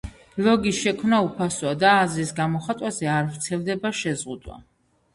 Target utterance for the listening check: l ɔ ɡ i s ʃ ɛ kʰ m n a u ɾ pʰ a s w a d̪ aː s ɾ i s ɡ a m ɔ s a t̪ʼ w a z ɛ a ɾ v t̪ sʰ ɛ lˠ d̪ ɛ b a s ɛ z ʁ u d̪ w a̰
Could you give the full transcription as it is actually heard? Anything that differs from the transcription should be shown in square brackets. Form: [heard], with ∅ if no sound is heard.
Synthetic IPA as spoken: l ɔ ɡ i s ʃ ɛ kʰ m n a u [∅] pʰ a s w a d̪ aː [z] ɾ i s ɡ a m ɔ [χ] a t̪ʼ w a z ɛ a ɾ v t̪ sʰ ɛ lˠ d̪ ɛ b a [ʃ] ɛ z ʁ u d̪ w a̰